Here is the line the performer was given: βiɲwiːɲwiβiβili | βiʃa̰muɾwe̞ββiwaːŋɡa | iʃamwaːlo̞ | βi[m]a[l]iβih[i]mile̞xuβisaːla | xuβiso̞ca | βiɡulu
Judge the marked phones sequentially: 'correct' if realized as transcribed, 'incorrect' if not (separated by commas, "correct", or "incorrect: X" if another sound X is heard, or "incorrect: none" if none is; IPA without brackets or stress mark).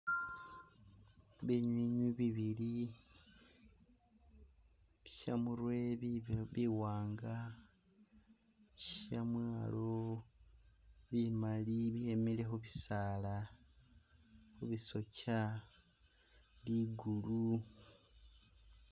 correct, correct, incorrect: e